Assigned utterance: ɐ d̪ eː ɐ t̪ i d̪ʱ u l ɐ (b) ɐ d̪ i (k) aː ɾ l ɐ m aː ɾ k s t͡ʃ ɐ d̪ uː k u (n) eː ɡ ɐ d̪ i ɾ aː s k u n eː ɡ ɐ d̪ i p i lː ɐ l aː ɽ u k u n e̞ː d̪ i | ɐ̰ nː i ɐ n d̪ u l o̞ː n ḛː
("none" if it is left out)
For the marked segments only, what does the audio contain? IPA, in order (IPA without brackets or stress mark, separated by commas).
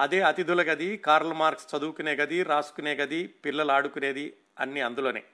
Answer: ɡ, k, n